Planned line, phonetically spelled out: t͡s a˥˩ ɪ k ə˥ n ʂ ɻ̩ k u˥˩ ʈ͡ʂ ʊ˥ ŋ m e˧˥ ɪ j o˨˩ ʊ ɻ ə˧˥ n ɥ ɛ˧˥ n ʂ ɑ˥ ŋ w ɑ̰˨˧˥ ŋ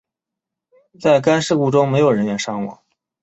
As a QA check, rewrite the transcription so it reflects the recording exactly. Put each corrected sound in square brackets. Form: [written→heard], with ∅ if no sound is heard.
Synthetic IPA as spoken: t͡s a˥˩ ɪ k [ə˥→a˥] n ʂ ɻ̩ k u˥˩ ʈ͡ʂ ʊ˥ ŋ m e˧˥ ɪ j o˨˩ ʊ ɻ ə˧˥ n ɥ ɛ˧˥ n ʂ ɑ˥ ŋ w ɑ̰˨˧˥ ŋ

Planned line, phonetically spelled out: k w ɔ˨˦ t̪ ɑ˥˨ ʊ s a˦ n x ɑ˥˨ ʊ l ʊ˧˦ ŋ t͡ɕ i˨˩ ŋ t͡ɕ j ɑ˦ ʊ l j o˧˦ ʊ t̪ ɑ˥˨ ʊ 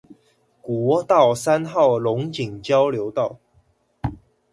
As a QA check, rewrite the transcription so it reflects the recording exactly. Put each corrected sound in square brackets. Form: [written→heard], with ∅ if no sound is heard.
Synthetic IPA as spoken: k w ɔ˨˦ t̪ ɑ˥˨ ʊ s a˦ n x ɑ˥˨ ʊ l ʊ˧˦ ŋ t͡ɕ i˨˩ ŋ t͡ɕ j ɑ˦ ʊ l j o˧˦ ʊ t̪ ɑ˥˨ ʊ

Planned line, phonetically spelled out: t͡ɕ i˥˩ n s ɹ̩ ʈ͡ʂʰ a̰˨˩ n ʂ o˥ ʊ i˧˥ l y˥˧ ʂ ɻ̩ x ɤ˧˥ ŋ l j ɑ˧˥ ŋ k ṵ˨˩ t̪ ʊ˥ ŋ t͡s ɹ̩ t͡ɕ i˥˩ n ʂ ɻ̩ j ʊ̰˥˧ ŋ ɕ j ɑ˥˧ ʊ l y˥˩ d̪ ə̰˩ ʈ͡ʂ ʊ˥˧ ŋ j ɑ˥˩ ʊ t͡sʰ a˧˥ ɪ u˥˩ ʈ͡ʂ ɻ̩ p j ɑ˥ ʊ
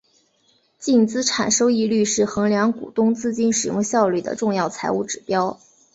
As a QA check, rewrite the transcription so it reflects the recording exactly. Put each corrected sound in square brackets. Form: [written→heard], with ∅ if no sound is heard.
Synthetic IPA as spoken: t͡ɕ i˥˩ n [s→t͡s] ɹ̩ ʈ͡ʂʰ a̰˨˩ n ʂ o˥ ʊ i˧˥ l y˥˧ ʂ ɻ̩ x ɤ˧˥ ŋ l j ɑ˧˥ ŋ k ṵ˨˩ t̪ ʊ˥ ŋ t͡s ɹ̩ t͡ɕ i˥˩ n ʂ ɻ̩ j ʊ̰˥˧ ŋ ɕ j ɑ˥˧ ʊ l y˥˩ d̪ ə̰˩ ʈ͡ʂ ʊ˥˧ ŋ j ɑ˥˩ ʊ t͡sʰ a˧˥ ɪ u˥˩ ʈ͡ʂ ɻ̩ p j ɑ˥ ʊ

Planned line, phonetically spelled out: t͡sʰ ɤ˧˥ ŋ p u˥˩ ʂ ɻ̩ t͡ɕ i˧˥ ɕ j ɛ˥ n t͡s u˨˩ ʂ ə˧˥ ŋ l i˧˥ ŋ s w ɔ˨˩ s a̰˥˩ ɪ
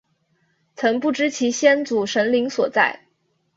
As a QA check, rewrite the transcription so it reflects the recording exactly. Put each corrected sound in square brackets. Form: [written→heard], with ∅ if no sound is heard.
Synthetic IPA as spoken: t͡sʰ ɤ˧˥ ŋ p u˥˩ [ʂ→ʈ͡ʂ] ɻ̩ [t͡ɕ→t͡ɕʰ] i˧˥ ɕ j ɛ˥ n t͡s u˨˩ ʂ ə˧˥ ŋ l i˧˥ ŋ s w ɔ˨˩ [s→t͡s] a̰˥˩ ɪ

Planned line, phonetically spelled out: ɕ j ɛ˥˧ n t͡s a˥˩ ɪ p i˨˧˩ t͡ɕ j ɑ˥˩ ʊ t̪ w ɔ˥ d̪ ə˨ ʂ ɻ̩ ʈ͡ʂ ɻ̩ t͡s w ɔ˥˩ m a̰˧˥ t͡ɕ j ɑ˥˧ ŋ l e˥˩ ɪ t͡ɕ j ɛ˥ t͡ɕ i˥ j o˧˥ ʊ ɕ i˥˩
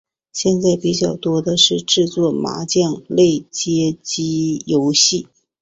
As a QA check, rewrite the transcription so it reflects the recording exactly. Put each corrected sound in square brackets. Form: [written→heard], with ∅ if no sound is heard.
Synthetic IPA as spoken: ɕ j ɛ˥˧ n t͡s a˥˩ ɪ p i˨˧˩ t͡ɕ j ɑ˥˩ ʊ t̪ w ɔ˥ d̪ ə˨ ʂ ɻ̩ ʈ͡ʂ ɻ̩ t͡s w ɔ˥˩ m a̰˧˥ t͡ɕ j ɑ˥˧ ŋ l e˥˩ ɪ t͡ɕ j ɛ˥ t͡ɕ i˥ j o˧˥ ʊ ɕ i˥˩

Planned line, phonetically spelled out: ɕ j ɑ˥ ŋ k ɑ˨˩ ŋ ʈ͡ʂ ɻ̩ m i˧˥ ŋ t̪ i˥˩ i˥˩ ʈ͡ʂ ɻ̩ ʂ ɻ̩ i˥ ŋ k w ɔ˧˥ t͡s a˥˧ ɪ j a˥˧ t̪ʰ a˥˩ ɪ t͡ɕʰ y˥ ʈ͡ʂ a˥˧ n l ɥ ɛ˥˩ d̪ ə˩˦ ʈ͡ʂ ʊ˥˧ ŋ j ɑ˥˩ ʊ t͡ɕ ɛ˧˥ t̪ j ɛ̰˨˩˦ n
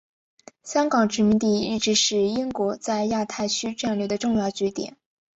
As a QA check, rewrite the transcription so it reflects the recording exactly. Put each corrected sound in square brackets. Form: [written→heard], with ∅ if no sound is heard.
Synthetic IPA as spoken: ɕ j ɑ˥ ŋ k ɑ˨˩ ŋ ʈ͡ʂ ɻ̩ m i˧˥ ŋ t̪ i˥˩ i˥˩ ʈ͡ʂ ɻ̩ ʂ ɻ̩ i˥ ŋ k w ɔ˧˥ t͡s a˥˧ ɪ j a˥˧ t̪ʰ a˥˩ ɪ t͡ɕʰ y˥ ʈ͡ʂ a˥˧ n l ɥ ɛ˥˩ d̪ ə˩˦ ʈ͡ʂ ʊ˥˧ ŋ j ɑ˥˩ ʊ t͡ɕ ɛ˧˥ t̪ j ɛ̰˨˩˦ n

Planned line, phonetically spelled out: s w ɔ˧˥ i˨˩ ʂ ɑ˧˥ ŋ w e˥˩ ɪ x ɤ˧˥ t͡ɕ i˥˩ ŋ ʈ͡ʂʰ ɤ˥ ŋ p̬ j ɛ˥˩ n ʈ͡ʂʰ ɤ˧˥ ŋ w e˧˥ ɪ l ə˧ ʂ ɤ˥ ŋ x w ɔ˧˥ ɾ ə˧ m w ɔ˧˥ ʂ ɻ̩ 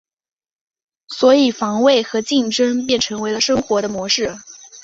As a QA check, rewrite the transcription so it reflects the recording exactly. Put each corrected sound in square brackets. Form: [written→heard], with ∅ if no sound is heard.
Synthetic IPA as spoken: s w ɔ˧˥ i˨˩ [ʂ→f] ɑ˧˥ ŋ w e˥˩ ɪ x ɤ˧˥ t͡ɕ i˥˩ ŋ [ʈ͡ʂʰ→ʈ͡ʂ] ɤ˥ ŋ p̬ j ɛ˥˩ n ʈ͡ʂʰ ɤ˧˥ ŋ w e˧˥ ɪ l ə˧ ʂ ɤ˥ ŋ x w ɔ˧˥ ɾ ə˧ m w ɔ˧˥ ʂ ɻ̩

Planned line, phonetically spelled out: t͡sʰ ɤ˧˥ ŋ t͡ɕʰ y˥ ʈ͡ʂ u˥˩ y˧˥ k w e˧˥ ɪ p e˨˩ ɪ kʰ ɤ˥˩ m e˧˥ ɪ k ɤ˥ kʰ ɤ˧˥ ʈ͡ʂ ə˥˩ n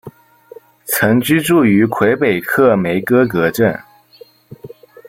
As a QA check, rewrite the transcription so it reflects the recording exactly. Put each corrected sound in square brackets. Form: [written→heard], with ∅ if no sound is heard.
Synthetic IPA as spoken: t͡sʰ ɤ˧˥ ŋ [t͡ɕʰ→t͡ɕ] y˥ ʈ͡ʂ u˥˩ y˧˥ [k→kʰ] w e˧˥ ɪ p e˨˩ ɪ kʰ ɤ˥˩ m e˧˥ ɪ k ɤ˥ [kʰ→k] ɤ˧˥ ʈ͡ʂ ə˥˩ n

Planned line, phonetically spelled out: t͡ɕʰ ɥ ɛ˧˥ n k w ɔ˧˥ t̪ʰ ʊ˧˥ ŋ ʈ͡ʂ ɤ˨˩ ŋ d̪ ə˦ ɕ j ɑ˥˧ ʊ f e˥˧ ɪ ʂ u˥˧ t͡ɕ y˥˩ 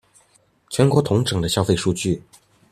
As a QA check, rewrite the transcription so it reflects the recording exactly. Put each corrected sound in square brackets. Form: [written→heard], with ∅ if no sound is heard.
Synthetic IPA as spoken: t͡ɕʰ ɥ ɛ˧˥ n k w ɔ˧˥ t̪ʰ ʊ˧˥ ŋ ʈ͡ʂ ɤ˨˩ ŋ d̪ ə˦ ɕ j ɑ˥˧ ʊ f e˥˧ ɪ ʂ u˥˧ t͡ɕ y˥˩

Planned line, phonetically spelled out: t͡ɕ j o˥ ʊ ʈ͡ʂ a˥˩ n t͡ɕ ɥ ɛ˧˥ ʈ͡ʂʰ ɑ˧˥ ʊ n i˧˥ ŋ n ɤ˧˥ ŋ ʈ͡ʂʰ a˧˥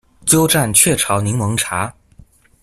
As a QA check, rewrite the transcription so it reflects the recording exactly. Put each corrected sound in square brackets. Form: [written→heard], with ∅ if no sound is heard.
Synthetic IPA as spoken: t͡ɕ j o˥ ʊ ʈ͡ʂ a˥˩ n [t͡ɕ→t͡ɕʰ] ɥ [ɛ˧˥→ɛ˥˩] ʈ͡ʂʰ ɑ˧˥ ʊ n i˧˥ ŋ [n→m] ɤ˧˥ ŋ ʈ͡ʂʰ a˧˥

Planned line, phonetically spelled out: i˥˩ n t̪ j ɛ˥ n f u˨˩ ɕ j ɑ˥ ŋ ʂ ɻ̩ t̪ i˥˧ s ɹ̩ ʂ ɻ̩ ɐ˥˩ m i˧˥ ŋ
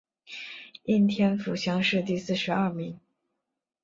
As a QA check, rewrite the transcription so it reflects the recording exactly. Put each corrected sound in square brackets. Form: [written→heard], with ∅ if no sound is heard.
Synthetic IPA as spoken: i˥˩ n [t̪→t̪ʰ] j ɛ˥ n f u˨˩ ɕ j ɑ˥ ŋ ʂ ɻ̩ t̪ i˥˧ s ɹ̩ ʂ ɻ̩ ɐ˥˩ m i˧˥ ŋ

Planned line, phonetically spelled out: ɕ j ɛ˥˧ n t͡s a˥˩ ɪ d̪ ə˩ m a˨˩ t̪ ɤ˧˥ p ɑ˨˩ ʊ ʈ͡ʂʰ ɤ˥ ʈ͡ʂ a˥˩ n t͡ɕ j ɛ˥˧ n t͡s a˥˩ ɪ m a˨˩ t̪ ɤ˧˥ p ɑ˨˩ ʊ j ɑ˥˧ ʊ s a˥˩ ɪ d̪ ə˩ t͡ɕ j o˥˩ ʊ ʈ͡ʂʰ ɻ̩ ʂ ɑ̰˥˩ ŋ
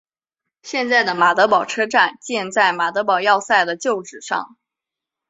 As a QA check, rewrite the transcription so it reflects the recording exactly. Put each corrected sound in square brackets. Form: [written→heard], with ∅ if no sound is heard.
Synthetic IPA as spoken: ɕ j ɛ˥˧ n t͡s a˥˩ ɪ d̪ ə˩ m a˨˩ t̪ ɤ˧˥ p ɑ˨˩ ʊ ʈ͡ʂʰ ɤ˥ ʈ͡ʂ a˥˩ n t͡ɕ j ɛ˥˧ n t͡s a˥˩ ɪ m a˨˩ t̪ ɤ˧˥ p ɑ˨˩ ʊ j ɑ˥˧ ʊ s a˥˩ ɪ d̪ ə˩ t͡ɕ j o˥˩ ʊ [ʈ͡ʂʰ→ʈ͡ʂ] ɻ̩ ʂ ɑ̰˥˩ ŋ

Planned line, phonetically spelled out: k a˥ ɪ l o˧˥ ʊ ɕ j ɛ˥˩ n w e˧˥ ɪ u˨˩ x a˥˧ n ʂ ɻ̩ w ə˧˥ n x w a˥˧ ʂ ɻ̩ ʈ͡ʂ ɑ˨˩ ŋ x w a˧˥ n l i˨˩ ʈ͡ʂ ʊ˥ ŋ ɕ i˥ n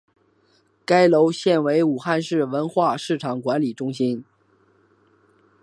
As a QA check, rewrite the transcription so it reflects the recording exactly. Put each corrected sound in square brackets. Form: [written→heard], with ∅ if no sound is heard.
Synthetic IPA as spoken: k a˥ ɪ l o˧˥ ʊ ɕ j ɛ˥˩ n w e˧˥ ɪ u˨˩ x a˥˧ n ʂ ɻ̩ w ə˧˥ n x w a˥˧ ʂ ɻ̩ [ʈ͡ʂ→ʈ͡ʂʰ] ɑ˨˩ ŋ [x→k] w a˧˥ n l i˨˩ ʈ͡ʂ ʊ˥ ŋ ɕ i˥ n

